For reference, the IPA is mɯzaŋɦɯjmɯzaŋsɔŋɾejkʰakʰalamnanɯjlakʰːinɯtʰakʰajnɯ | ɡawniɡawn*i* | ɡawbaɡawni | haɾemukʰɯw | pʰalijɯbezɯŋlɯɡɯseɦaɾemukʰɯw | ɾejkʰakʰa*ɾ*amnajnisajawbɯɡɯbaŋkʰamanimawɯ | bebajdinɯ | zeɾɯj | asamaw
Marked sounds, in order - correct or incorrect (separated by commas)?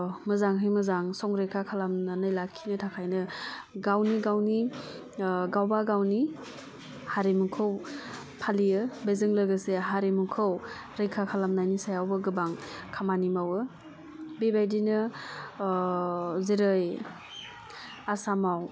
correct, incorrect